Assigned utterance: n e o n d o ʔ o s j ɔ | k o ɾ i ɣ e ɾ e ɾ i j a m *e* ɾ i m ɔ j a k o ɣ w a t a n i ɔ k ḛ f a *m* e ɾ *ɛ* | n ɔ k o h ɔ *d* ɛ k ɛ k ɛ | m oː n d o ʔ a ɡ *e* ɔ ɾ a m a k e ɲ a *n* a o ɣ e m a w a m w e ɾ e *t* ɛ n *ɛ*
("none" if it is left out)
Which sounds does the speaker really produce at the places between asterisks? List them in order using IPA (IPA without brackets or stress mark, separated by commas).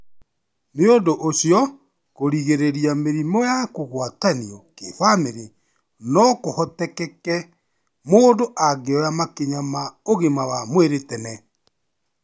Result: e, m, e, t, e, m, t, ɛ